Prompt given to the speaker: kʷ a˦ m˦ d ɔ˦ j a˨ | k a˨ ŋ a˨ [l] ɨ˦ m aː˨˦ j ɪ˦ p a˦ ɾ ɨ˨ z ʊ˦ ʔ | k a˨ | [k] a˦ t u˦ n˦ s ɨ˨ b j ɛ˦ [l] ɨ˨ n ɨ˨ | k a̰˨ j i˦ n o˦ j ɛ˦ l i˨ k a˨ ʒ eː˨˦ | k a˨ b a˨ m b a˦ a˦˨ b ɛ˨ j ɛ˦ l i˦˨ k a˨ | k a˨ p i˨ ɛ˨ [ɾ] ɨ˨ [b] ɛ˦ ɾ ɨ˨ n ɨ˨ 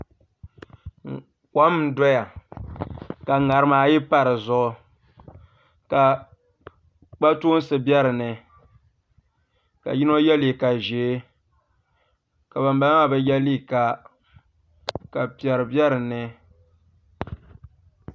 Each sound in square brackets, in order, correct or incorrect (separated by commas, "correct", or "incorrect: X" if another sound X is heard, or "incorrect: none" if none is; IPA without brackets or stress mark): incorrect: ɾ, incorrect: k͡p, incorrect: ɾ, correct, correct